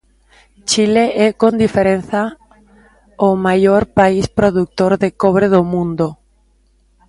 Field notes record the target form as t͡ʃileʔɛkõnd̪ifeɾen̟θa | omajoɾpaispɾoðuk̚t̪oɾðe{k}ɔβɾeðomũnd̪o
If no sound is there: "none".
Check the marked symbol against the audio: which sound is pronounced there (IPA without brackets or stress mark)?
k